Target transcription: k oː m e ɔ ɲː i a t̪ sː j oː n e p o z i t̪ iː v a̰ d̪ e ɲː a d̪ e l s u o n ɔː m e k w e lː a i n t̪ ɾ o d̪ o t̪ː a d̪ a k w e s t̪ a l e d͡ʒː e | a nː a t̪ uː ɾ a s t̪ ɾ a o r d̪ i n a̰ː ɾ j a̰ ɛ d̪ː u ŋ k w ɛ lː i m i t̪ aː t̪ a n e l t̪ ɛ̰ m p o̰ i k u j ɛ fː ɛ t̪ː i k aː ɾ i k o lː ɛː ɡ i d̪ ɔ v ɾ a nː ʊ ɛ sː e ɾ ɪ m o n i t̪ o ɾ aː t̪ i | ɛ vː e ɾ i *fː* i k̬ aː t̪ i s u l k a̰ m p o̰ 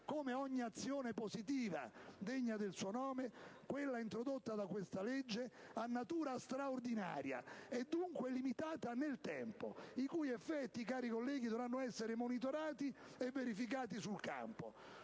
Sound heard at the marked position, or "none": f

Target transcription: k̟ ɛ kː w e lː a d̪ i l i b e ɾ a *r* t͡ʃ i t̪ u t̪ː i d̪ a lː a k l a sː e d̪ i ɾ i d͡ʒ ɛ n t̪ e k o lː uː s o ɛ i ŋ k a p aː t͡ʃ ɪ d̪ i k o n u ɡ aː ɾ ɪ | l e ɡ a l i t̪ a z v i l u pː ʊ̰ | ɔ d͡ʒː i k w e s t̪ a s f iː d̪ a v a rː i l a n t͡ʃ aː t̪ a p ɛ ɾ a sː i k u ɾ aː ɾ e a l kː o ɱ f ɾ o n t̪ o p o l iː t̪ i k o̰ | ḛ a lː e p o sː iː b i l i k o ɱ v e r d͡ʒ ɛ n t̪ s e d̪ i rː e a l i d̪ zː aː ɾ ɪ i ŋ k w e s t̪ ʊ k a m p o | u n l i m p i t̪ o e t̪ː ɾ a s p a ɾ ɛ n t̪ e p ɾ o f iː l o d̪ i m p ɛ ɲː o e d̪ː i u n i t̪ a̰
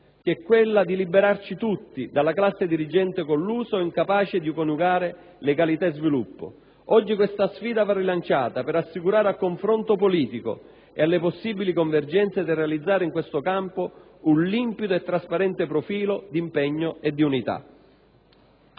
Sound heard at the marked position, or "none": r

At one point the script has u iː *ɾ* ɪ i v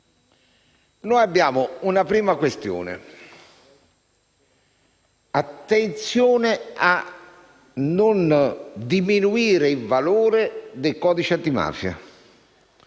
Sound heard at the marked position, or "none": ɾ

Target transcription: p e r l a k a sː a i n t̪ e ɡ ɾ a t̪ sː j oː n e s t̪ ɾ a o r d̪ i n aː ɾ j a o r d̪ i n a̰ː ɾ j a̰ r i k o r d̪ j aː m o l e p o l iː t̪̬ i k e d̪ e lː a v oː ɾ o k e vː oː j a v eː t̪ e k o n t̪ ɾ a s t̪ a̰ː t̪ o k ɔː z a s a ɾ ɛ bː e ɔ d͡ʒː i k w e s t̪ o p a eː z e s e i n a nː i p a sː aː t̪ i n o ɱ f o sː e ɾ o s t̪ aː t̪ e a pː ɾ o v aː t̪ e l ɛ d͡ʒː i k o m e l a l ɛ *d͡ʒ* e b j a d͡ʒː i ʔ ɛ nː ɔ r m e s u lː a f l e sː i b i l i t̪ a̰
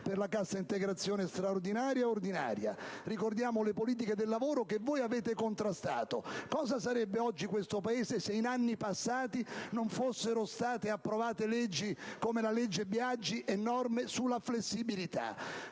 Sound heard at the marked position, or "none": d͡ʒː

